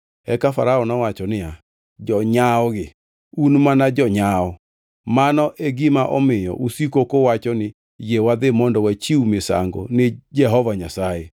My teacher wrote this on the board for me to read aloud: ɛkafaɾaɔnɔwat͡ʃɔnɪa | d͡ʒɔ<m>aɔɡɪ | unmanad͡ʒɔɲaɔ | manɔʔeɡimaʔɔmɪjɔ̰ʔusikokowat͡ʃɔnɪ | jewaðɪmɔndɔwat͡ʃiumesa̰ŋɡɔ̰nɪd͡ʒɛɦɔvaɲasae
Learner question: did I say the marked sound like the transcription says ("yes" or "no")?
no